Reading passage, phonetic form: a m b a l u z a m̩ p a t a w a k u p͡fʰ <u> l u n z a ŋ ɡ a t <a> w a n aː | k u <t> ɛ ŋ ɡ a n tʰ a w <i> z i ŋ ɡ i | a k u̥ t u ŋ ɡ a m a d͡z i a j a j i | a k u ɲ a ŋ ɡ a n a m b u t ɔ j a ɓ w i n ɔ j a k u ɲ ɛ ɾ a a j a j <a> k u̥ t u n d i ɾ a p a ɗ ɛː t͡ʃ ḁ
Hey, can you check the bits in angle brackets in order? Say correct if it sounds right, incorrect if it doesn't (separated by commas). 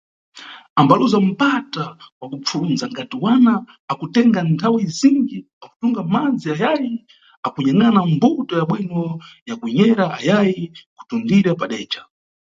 correct, incorrect, correct, correct, incorrect